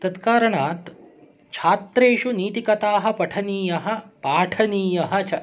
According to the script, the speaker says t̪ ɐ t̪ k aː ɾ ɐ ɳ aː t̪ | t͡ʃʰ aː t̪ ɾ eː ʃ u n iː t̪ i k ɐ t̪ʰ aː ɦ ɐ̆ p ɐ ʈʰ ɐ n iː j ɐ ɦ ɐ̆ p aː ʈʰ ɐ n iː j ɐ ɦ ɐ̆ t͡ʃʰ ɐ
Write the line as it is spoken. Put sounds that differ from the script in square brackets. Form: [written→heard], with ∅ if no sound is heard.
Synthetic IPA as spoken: t̪ ɐ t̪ k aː ɾ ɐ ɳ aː t̪ | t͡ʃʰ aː t̪ ɾ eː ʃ u n iː t̪ i k ɐ [t̪ʰ→t̪] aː ɦ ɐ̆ p ɐ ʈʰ ɐ n iː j ɐ ɦ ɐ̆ p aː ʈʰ ɐ n iː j ɐ ɦ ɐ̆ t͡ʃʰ ɐ